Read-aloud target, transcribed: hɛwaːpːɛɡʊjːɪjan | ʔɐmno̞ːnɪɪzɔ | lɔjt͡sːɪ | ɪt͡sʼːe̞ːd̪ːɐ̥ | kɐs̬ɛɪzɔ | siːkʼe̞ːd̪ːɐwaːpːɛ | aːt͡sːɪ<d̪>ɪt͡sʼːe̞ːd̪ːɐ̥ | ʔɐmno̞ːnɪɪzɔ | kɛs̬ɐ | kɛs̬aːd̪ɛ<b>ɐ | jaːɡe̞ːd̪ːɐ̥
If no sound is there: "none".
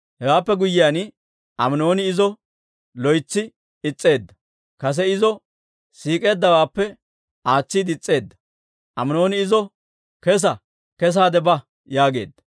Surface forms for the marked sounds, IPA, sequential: d̪, b

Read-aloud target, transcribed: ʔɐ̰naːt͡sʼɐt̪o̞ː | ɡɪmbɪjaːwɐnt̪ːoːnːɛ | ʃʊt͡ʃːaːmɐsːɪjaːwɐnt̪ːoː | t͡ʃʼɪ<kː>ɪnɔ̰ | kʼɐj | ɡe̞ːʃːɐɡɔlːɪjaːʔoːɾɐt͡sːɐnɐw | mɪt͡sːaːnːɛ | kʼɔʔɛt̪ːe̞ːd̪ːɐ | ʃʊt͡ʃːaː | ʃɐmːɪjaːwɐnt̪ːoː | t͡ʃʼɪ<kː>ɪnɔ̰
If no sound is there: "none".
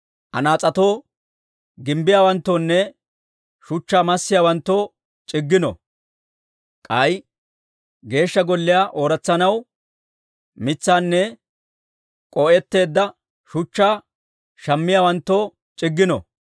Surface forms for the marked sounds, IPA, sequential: ɡː, ɡː

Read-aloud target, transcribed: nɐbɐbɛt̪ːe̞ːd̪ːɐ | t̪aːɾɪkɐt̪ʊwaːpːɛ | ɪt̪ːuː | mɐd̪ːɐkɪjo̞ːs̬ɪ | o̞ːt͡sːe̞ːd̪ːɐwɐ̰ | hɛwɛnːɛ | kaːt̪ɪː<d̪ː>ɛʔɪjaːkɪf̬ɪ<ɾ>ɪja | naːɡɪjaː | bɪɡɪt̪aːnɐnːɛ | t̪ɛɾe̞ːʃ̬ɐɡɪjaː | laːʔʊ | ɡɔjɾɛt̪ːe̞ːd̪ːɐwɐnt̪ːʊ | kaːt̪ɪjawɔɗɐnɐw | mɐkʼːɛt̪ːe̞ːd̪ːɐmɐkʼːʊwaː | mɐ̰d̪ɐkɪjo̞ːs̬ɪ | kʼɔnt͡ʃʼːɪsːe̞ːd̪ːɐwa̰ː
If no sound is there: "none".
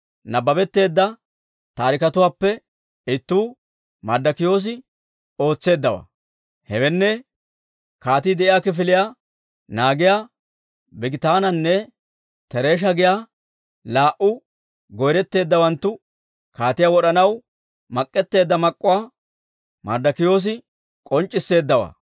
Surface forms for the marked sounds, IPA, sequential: d̪, l

